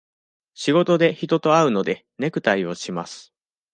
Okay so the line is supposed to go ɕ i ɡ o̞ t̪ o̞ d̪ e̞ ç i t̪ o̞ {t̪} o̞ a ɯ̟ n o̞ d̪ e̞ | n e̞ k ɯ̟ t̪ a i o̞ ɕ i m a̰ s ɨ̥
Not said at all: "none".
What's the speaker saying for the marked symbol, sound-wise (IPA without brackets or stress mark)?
t̪